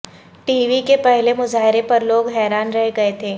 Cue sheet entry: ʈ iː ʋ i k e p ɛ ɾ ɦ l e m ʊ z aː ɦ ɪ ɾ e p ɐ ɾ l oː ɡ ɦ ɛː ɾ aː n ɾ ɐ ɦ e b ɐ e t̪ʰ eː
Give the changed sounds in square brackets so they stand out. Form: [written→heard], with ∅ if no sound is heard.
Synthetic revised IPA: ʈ iː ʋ i k e p ɛ [ɾ→∅] ɦ l e m ʊ z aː ɦ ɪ ɾ e p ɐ ɾ l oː ɡ ɦ ɛː ɾ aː n ɾ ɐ ɦ e [b→ɡ] ɐ e t̪ʰ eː